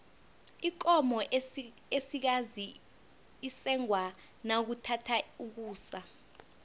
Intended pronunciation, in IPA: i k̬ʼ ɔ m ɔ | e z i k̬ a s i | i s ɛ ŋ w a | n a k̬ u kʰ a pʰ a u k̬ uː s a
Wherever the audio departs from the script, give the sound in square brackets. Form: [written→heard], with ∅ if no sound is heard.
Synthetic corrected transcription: i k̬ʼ ɔ m ɔ | e [z→s] i k̬ a [s→z] i | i s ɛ ŋ w a | n a k̬ u [kʰ→tʰ] a [pʰ→tʰ] a u k̬ uː s a